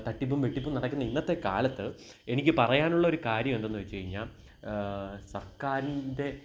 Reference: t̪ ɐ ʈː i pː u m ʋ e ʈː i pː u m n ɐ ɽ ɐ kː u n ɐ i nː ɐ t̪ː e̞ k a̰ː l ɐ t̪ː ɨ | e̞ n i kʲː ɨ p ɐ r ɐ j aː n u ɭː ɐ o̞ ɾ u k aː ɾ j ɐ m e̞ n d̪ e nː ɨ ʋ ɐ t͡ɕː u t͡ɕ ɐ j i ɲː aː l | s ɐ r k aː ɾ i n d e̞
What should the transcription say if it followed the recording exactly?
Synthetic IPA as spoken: t̪ ɐ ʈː i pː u m ʋ e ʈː i pː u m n ɐ ɽ ɐ kː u nː ɐ i nː ɐ t̪ː e̞ k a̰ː l ɐ t̪ː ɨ | e̞ n i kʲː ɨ p ɐ r ɐ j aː n u ɭː ɐ o̞ ɾ u k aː ɾ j ɐ m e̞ n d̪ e nː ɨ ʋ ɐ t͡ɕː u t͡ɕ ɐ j i ɲː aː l | s ɐ r k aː ɾ i n d e̞